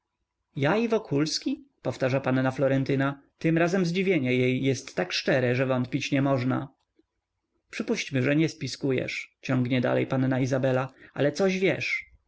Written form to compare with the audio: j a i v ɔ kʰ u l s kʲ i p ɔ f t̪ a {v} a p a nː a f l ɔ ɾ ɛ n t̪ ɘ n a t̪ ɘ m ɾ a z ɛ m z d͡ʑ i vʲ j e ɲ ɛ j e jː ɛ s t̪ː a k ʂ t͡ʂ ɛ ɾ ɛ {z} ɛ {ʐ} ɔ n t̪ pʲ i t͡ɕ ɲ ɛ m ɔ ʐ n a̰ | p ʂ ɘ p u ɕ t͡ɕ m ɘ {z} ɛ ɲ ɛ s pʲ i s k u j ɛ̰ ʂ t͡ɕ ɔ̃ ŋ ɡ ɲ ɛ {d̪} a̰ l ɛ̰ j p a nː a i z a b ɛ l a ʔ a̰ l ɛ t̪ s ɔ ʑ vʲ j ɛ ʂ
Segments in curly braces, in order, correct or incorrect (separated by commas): incorrect, incorrect, incorrect, incorrect, correct